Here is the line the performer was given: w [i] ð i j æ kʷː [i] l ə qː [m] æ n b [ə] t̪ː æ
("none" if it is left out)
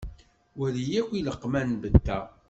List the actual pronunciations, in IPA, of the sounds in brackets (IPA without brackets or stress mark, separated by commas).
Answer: æ, i, m, ə